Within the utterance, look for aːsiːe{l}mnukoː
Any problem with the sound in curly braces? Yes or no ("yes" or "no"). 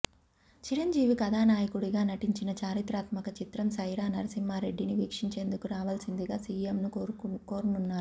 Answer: yes